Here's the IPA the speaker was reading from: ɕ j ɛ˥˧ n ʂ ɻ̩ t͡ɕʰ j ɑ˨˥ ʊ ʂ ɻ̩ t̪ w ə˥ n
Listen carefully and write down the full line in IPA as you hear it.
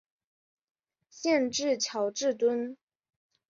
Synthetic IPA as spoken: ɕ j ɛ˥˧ n ʈ͡ʂ ɻ̩ t͡ɕʰ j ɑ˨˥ ʊ ʈ͡ʂ ɻ̩ t̪ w ə˥ n

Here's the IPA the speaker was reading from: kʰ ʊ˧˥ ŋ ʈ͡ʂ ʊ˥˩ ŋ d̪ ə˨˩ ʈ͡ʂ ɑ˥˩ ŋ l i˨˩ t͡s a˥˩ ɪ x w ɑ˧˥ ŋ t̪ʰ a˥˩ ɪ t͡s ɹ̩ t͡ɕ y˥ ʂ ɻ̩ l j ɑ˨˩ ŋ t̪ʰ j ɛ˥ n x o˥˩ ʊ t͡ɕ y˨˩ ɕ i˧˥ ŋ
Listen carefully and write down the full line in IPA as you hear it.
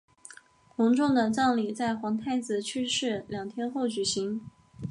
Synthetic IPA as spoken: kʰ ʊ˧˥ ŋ ʈ͡ʂ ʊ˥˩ ŋ d̪ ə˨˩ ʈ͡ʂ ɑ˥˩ ŋ l i˨˩ t͡s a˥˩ ɪ x w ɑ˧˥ ŋ t̪ʰ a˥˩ ɪ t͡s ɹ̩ t͡ɕʰ y˥ ʂ ɻ̩ l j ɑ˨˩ ŋ t̪ʰ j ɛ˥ n x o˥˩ ʊ t͡ɕ y˨˩ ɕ i˧˥ ŋ

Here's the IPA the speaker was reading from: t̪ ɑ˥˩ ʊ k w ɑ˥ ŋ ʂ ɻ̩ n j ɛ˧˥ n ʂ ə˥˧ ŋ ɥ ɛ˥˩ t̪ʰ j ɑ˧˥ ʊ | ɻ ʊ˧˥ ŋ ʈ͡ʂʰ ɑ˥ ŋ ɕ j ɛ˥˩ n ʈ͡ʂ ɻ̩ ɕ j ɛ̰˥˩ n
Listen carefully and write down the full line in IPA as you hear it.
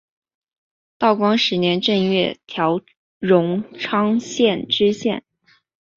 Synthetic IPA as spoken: t̪ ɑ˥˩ ʊ k w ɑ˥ ŋ ʂ ɻ̩ n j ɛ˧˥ n ʈ͡ʂ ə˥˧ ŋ ɥ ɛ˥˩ t̪ʰ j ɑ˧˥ ʊ | ɻ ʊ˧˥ ŋ ʈ͡ʂʰ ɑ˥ ŋ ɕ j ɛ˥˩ n ʈ͡ʂ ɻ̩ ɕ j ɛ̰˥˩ n

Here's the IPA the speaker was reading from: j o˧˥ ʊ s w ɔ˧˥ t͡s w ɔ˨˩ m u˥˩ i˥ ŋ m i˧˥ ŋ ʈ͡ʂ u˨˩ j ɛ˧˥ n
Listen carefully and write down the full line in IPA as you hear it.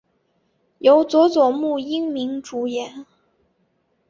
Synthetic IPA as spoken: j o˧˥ ʊ t͡s w ɔ˧˥ t͡s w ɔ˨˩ m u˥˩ i˥ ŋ m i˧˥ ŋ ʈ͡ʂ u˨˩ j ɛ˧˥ n

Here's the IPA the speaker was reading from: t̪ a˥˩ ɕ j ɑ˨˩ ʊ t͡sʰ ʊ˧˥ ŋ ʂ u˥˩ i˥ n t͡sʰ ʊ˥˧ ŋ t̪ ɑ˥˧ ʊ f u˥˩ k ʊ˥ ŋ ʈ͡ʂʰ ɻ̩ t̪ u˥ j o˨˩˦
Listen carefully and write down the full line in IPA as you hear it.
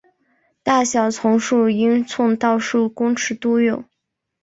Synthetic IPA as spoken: t̪ a˥˩ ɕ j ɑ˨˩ ʊ t͡sʰ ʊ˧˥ ŋ ʂ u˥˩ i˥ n t͡sʰ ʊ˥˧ ŋ t̪ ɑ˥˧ ʊ ʂ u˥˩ k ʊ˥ ŋ ʈ͡ʂʰ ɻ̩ t̪ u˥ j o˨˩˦

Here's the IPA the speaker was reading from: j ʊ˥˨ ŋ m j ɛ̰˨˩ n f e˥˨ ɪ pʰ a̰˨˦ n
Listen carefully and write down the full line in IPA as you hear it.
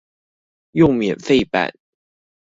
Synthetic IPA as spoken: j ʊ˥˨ ŋ m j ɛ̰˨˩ n f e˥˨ ɪ p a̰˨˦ n

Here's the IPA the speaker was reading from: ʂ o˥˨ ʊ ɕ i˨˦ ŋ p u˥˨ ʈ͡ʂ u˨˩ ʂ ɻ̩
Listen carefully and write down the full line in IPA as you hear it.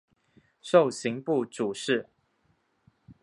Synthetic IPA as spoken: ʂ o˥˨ ʊ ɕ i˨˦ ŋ p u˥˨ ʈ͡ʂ u˨˩ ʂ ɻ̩

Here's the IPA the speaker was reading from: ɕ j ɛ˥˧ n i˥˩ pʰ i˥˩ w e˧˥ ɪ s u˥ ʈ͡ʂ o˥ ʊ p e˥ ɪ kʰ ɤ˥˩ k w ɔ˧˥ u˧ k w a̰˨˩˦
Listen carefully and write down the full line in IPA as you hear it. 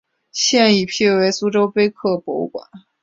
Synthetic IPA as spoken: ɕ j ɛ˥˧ n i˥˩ pʰ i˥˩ w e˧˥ ɪ s u˥ ʈ͡ʂ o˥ ʊ p e˥ ɪ kʰ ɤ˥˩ p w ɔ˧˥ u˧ k w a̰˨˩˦

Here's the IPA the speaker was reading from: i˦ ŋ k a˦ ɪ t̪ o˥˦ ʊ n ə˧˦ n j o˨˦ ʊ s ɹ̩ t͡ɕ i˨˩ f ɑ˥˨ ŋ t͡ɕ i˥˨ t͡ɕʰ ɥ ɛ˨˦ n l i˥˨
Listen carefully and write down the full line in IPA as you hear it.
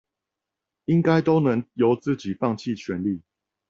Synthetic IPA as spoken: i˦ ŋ k a˦ ɪ t̪ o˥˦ ʊ n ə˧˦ ŋ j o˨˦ ʊ t͡s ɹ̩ t͡ɕ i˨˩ f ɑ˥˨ ŋ t͡ɕʰ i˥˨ t͡ɕʰ ɥ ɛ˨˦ n l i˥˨

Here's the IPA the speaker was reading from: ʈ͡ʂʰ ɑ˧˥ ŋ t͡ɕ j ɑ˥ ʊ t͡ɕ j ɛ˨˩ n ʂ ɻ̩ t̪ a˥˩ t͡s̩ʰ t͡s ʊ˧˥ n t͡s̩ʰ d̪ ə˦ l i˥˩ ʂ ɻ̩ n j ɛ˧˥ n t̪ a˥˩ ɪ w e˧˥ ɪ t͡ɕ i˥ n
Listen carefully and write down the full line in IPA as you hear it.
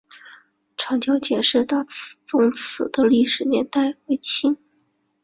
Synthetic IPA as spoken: ʈ͡ʂʰ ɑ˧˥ ŋ t͡ɕ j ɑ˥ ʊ t͡ɕ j ɛ˨˩ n ʂ ɻ̩ t̪ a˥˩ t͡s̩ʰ t͡s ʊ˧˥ ŋ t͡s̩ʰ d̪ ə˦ l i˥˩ ʂ ɻ̩ n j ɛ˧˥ n t̪ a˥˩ ɪ w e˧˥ ɪ t͡ɕʰ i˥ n

